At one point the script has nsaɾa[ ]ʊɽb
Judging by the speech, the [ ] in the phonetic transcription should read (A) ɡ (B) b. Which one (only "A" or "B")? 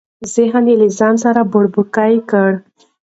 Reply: B